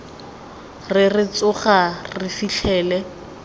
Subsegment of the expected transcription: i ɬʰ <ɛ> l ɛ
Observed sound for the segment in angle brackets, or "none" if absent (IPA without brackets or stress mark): ɛː